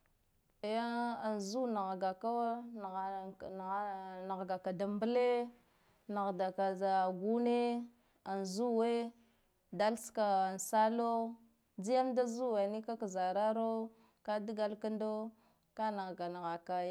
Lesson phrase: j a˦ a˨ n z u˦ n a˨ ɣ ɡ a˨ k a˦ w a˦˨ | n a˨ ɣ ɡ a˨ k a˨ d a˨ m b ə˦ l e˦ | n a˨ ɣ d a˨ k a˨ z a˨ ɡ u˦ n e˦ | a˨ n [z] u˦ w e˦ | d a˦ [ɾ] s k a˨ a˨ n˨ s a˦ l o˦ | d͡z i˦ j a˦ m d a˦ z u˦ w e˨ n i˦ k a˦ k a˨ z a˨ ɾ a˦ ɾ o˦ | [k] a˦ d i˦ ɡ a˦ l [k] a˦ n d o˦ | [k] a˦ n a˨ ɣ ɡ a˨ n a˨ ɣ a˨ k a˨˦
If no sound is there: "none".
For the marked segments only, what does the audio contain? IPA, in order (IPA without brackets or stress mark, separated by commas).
z, l, k, k, k